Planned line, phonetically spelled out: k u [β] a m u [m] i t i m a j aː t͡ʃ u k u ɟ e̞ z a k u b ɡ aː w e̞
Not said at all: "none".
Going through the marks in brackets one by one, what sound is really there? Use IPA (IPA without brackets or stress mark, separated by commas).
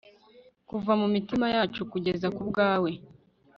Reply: v, m